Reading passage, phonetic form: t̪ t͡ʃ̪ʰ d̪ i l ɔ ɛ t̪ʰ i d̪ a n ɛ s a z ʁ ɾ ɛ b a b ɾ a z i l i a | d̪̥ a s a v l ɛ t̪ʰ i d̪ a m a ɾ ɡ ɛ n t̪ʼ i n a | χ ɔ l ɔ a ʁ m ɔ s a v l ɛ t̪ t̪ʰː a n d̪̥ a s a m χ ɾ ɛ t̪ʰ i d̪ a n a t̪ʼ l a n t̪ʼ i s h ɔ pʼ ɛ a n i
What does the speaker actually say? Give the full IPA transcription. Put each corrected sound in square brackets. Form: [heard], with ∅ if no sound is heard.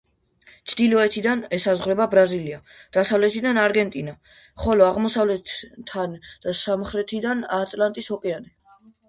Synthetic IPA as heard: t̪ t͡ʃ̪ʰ d̪ i l ɔ ɛ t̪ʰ i d̪ a n ɛ s a z ʁ ɾ ɛ b a b ɾ a z i l i a | d̪̥ a s a v l ɛ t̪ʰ i d̪ a [n] a ɾ ɡ ɛ n t̪ʼ i n a | χ ɔ l ɔ a ʁ m ɔ s a v l ɛ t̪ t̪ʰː a n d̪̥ a s a m χ ɾ ɛ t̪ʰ i d̪ a n a t̪ʼ l a n t̪ʼ i s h ɔ [kʼ] ɛ a n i